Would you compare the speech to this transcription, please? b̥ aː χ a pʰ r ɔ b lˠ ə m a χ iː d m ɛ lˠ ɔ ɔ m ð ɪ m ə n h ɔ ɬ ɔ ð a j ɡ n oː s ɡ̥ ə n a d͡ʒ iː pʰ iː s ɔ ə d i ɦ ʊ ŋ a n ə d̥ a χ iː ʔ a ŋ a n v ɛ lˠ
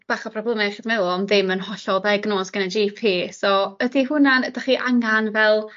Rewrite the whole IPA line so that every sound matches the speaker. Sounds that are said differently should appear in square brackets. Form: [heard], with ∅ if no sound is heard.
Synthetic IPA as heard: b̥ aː χ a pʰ r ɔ b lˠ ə m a χ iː d m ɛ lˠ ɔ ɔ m ð ɪ m ə n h ɔ ɬ ɔ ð a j ɡ n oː s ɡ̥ ə n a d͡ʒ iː pʰ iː s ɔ ə d i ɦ ʊ [n] a n ə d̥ a χ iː ʔ a ŋ a n v ɛ lˠ